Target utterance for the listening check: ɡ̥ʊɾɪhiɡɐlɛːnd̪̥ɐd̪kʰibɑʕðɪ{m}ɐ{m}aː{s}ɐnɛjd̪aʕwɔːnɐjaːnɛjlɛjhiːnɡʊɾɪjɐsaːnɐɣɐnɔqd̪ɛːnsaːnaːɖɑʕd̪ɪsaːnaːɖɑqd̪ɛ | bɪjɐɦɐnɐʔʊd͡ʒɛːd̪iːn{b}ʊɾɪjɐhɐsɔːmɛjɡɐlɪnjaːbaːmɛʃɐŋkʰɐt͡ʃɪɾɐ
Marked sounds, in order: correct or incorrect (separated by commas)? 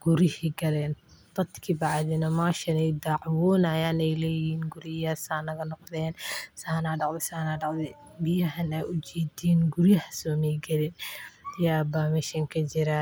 incorrect, correct, incorrect, incorrect